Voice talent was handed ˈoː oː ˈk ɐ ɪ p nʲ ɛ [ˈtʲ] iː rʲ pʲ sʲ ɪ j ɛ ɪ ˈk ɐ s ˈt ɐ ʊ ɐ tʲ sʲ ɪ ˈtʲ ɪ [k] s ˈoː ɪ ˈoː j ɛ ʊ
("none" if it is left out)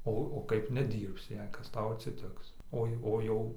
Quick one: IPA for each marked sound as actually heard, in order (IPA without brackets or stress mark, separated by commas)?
dʲ, k